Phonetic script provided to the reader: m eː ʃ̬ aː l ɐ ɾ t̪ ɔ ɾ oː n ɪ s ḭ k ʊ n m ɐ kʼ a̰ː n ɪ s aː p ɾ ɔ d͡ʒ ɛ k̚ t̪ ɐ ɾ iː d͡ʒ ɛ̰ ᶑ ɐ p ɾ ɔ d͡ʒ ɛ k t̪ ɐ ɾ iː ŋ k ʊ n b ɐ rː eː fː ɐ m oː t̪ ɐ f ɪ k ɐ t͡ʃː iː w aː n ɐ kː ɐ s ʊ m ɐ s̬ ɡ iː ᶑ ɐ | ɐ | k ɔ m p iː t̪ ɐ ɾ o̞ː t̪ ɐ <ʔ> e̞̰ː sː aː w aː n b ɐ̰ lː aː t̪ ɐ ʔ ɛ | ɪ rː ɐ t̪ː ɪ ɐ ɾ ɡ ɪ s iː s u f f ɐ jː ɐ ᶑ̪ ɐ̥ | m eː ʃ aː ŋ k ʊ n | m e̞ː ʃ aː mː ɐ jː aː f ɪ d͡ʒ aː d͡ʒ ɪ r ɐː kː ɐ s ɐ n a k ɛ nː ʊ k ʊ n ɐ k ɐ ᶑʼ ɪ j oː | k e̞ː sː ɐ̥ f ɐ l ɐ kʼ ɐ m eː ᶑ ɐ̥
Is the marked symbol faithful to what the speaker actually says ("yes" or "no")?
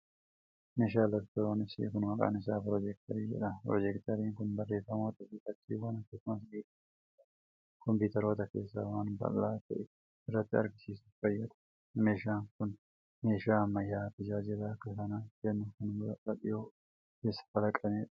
no